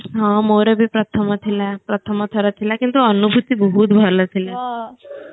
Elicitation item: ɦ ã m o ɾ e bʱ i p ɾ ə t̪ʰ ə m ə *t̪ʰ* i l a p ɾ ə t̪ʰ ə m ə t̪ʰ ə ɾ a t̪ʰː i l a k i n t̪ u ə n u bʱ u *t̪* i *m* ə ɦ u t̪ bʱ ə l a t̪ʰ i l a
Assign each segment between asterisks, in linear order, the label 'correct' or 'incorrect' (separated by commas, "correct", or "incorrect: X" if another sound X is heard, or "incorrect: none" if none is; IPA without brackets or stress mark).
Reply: correct, correct, incorrect: b